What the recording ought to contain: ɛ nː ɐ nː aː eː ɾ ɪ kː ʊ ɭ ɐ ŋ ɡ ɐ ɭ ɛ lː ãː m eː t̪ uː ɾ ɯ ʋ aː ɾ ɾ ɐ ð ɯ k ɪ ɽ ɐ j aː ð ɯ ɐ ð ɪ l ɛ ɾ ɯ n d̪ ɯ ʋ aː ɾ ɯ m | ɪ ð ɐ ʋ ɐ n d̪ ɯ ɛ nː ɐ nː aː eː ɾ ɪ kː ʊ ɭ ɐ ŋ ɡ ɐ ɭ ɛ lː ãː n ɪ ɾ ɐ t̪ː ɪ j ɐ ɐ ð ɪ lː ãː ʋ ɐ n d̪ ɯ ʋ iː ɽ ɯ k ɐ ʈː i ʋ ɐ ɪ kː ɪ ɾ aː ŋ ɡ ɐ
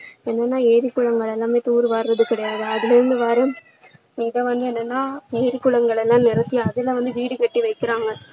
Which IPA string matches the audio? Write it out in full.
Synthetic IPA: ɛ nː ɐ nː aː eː ɾ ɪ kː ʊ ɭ ɐ ŋ ɡ ɐ ɭ ɛ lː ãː m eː t̪ uː ɾ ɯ ʋ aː ɾ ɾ ɐ ð ɯ k ɪ ɽ ɐ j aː ð ɯ ɐ ð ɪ l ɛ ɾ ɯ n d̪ ɯ ʋ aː ɾ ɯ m | ɪ ð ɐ ʋ ɐ n d̪ ɯ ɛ nː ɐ nː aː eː ɾ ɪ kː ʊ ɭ ɐ ŋ ɡ ɐ ɭ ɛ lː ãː n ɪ ɾ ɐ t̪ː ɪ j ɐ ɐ ð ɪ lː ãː ʋ ɐ n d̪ ɯ ʋ iː ɽ ɯ k ɐ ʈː i ʋ ɐ ɪ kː ɪ ɾ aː ŋ ɡ ɐ